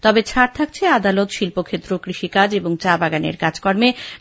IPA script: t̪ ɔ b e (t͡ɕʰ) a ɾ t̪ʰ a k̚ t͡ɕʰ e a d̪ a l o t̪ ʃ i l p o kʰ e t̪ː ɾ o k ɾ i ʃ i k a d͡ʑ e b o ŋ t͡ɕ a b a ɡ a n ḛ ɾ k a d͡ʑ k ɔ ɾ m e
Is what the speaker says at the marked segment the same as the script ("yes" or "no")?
yes